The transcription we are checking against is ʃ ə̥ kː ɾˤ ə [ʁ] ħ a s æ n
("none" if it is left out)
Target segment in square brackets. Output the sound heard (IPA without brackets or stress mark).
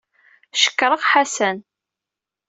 ʁ